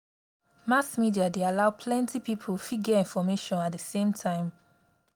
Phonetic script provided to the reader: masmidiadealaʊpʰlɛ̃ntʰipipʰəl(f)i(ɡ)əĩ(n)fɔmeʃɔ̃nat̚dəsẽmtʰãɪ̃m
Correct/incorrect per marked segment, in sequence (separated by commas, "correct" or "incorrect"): correct, correct, correct